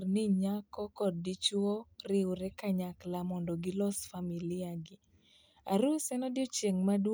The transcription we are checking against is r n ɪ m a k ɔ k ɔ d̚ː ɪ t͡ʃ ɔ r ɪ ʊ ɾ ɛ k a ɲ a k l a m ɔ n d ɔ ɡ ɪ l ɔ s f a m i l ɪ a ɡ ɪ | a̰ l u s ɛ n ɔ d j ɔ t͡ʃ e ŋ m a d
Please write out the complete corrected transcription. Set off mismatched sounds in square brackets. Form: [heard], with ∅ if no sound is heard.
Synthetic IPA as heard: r n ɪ [ɲ] a k ɔ k ɔ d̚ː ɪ t͡ʃ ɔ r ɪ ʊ ɾ ɛ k a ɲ a k l a m ɔ n d ɔ ɡ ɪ l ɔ s f a m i l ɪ a ɡ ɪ | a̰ [ɾ] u s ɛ n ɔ d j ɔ t͡ʃ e ŋ m a d

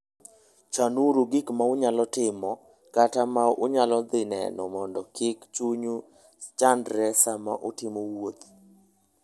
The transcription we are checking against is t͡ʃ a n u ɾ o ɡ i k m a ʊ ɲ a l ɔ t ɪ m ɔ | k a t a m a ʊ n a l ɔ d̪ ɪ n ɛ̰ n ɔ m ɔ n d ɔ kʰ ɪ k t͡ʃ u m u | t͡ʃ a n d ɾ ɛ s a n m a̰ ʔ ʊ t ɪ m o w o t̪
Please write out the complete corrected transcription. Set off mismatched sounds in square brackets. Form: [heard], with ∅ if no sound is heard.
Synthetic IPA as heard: t͡ʃ a n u ɾ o ɡ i k m a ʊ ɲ a l ɔ t ɪ m ɔ | k a t a m a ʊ [ɲ] a l ɔ d̪ ɪ n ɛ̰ n ɔ m ɔ n d ɔ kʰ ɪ k t͡ʃ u [ɲ] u | t͡ʃ a n d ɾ ɛ s a [∅] m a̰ ʔ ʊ t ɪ m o w o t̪

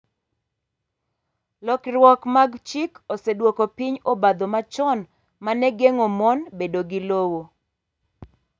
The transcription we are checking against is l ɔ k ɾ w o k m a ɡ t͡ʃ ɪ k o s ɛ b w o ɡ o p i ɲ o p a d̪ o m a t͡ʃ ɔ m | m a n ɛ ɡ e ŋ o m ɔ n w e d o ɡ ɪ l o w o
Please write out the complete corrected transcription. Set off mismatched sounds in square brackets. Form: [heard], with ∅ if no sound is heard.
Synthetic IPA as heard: l ɔ k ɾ w [ɔ] k m a ɡ t͡ʃ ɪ k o s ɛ [d] w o [k] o p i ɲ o [b] a d̪ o m a t͡ʃ ɔ [n] | m a n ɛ ɡ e ŋ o m ɔ n [b] e d o ɡ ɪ l o w o

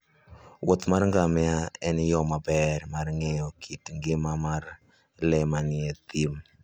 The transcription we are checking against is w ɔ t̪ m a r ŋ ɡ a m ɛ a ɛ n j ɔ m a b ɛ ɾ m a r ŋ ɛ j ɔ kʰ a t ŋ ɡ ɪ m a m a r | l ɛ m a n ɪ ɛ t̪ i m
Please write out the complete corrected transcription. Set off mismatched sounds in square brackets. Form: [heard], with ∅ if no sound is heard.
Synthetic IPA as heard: w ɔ t̪ m a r ŋ ɡ a m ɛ a ɛ n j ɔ m a b ɛ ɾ m a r ŋ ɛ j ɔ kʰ [i] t ŋ ɡ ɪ m a m a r | l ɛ m a n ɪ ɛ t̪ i m

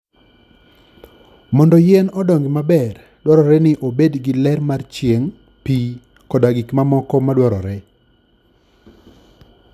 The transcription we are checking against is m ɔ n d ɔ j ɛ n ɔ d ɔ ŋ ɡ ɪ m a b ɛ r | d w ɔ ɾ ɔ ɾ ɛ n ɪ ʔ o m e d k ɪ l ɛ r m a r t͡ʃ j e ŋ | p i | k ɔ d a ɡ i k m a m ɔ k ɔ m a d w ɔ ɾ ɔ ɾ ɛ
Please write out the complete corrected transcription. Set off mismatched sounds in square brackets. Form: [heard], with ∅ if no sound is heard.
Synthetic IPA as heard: m ɔ n d ɔ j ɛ n ɔ d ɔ ŋ ɡ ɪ m a b ɛ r | d w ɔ ɾ ɔ ɾ ɛ n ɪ ʔ o [b] e d [ɡ] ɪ l ɛ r m a r t͡ʃ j e ŋ | p i | k ɔ d a ɡ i k m a m ɔ k ɔ m a d w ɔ ɾ ɔ ɾ ɛ

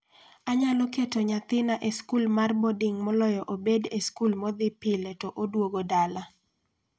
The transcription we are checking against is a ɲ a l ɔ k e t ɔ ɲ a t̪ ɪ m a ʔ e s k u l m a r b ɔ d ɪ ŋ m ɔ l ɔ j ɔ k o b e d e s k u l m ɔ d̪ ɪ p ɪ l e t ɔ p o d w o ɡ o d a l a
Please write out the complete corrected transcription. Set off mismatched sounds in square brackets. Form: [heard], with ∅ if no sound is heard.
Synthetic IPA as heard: a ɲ a l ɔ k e t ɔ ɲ a t̪ ɪ [n] a ʔ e s k u l m a r b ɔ d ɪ ŋ m ɔ l ɔ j ɔ [ʔ] o b e d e s k u l m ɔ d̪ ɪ p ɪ l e t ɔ [ʔ] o d w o ɡ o d a l a

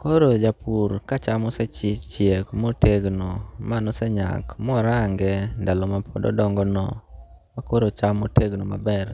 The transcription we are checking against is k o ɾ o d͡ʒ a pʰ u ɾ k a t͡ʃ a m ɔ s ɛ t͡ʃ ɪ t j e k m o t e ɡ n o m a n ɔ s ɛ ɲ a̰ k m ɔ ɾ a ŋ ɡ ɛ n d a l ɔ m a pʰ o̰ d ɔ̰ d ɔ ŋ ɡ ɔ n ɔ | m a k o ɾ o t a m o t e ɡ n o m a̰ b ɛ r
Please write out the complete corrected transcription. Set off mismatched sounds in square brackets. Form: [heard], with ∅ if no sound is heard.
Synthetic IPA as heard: k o ɾ o d͡ʒ a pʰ u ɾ k a t͡ʃ a m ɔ s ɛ t͡ʃ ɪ [t͡ʃ] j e k m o t e ɡ n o m a n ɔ s ɛ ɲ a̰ k m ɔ ɾ a ŋ ɡ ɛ n d a l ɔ m a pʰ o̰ d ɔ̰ d ɔ ŋ ɡ ɔ n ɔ | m a k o ɾ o [t͡ʃ] a m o t e ɡ n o m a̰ b ɛ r

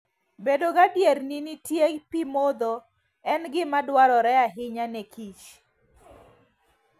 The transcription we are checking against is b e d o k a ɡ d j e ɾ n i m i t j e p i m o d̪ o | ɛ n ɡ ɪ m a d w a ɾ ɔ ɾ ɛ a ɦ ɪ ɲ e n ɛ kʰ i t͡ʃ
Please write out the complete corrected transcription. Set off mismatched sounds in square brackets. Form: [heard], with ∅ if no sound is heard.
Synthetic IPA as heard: b e d o [ɡ] a [∅] d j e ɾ n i [n] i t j e p i m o d̪ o | ɛ n ɡ ɪ m a d w a ɾ ɔ ɾ ɛ a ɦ ɪ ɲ [a] n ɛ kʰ i t͡ʃ

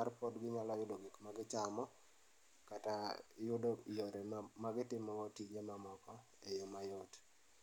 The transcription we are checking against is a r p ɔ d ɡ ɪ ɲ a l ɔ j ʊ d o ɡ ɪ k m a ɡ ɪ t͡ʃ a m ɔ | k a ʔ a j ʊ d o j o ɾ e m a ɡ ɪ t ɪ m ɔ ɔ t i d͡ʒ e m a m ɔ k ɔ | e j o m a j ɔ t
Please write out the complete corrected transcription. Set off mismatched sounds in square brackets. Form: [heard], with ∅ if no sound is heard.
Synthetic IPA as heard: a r p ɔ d ɡ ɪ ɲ a l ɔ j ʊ d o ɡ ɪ k m a ɡ ɪ t͡ʃ a m ɔ | k a [t] a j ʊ d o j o ɾ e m a ɡ ɪ t ɪ m ɔ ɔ t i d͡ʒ e m a m ɔ k ɔ | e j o m a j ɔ t

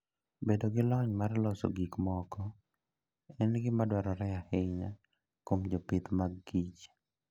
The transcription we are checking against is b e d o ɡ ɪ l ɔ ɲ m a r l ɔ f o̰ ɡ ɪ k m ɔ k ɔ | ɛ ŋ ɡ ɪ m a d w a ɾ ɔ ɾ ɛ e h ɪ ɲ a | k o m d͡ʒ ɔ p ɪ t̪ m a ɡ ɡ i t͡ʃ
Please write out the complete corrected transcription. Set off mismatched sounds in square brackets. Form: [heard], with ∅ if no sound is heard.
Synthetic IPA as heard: b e d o ɡ ɪ l ɔ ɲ m a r l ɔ [s] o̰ ɡ [i] k m ɔ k ɔ | ɛ [n] ɡ ɪ m a d w a ɾ ɔ ɾ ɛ [a] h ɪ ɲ a | k o m d͡ʒ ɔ p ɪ t̪ m a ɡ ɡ i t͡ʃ

